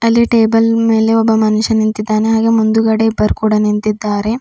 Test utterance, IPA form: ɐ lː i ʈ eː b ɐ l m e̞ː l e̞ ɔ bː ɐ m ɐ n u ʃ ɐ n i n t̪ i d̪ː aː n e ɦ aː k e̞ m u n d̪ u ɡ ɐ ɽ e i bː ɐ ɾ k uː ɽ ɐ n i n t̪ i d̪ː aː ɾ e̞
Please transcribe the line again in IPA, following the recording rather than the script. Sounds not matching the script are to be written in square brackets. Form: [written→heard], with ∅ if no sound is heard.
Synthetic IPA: ɐ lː i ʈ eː b ɐ l m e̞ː l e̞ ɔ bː ɐ m ɐ n u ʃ ɐ n i n t̪ i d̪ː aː n e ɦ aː [k→ɡ] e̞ m u n d̪ u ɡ ɐ ɽ e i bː ɐ ɾ k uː ɽ ɐ n i n t̪ i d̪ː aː ɾ e̞